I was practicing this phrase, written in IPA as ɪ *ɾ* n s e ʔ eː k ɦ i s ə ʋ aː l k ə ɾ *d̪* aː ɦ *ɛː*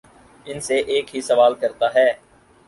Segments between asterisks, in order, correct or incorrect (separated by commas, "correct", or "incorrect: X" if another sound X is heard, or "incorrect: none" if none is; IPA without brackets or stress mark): incorrect: none, incorrect: t̪, correct